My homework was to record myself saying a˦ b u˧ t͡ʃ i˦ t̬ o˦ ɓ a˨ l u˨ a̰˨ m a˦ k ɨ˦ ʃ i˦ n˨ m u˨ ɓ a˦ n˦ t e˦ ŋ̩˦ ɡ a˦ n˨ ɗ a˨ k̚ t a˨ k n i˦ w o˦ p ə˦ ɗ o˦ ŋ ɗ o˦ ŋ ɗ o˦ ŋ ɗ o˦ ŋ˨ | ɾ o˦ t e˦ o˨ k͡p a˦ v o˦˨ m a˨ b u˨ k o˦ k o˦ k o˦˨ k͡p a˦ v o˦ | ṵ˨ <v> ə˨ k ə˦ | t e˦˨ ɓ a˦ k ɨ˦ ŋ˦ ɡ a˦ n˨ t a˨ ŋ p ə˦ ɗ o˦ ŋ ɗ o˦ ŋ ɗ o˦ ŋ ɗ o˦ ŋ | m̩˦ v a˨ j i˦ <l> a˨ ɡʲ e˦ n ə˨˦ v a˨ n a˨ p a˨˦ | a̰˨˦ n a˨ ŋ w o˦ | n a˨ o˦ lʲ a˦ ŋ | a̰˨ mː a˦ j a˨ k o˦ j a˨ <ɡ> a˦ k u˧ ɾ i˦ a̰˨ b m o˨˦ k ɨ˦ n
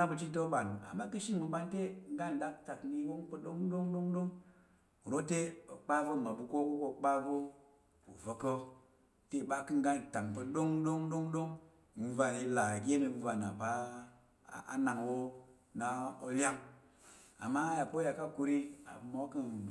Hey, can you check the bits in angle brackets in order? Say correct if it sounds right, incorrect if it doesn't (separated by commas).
correct, correct, incorrect